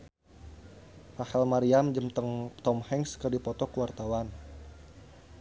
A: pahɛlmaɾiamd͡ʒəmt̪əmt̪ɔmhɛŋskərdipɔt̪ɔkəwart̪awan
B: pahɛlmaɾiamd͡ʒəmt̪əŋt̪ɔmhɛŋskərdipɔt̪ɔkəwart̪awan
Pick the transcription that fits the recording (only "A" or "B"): B